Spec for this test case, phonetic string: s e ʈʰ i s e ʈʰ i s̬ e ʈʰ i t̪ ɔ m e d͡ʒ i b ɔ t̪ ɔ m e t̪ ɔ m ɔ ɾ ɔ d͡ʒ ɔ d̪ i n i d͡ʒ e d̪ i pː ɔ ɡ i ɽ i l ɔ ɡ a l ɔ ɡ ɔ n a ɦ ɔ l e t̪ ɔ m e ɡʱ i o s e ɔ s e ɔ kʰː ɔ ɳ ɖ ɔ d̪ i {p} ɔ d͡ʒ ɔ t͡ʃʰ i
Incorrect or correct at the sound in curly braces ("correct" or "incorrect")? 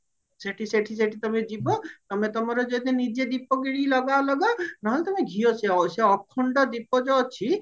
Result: correct